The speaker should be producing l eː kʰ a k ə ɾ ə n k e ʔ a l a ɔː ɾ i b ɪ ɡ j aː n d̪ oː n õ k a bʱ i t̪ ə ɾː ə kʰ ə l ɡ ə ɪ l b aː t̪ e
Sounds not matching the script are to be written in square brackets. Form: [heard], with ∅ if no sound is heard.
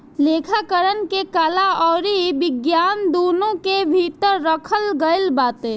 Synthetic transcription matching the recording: l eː kʰ a k ə ɾ ə n k e [k] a l a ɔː ɾ i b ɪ ɡ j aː n d̪ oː n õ k [e] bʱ i t̪ ə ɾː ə kʰ ə l ɡ ə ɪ l b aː t̪ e